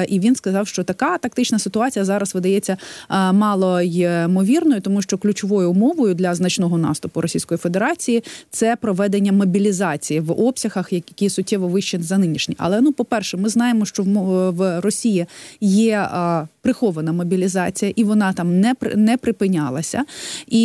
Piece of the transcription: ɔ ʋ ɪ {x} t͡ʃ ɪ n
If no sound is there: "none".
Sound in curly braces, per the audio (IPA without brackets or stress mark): ʃ